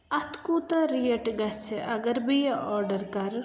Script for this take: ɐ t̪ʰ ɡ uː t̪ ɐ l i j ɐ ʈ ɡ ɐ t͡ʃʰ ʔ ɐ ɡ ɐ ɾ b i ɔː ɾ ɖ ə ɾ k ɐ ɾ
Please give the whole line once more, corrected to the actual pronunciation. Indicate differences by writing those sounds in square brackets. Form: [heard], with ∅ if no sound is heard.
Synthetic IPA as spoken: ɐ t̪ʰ [k] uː t̪ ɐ [ɾ] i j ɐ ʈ ɡ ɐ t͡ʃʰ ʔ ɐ ɡ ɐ ɾ b i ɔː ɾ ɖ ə ɾ k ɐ ɾ